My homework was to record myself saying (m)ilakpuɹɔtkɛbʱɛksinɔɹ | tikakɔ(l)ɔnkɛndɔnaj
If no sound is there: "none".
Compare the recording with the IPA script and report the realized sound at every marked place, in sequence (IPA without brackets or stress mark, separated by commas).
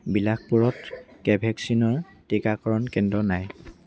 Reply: b, ɹ